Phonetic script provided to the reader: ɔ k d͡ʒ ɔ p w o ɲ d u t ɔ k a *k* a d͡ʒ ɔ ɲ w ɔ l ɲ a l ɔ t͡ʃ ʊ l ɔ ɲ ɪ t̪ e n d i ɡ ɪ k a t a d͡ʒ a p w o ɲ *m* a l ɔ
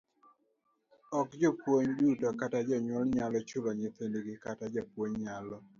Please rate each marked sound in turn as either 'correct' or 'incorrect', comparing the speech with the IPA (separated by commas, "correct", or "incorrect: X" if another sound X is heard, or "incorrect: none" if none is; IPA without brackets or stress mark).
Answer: incorrect: t, incorrect: ɲ